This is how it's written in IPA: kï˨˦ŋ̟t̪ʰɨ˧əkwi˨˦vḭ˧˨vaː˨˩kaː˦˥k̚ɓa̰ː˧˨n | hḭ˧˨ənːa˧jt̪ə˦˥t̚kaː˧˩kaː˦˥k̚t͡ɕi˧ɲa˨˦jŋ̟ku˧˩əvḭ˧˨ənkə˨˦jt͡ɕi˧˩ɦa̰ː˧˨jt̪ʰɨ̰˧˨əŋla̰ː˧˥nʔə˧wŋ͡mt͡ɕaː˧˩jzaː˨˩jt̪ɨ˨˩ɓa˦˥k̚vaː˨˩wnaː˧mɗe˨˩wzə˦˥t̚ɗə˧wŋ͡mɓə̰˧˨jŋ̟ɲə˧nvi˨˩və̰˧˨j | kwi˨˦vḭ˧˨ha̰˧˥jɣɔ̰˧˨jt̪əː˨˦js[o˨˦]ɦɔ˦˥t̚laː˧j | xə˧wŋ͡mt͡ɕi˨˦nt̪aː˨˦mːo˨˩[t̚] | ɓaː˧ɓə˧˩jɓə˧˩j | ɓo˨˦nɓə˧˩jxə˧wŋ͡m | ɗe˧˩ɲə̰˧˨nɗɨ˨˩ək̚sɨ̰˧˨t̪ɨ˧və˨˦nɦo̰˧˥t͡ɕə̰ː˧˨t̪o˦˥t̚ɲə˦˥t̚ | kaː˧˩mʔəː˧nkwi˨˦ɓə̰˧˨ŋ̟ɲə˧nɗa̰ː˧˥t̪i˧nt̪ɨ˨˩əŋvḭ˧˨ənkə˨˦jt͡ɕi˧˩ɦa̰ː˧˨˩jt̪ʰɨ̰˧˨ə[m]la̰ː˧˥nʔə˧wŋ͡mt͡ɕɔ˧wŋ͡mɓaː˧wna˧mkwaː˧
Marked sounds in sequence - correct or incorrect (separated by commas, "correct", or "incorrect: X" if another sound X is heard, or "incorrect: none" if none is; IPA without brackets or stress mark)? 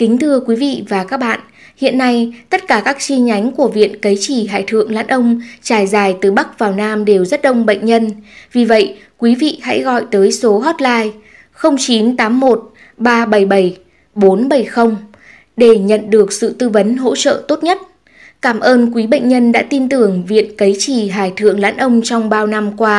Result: correct, correct, incorrect: ŋ